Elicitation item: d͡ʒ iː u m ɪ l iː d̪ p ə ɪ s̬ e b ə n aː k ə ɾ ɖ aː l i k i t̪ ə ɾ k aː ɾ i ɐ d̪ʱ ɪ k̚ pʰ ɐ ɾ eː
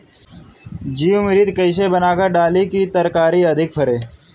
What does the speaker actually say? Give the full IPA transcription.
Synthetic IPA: d͡ʒ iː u m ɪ ɾ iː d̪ k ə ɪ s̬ e b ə n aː k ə ɾ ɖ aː l i k i t̪ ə ɾ k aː ɾ i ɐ d̪ʱ ɪ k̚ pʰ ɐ ɾ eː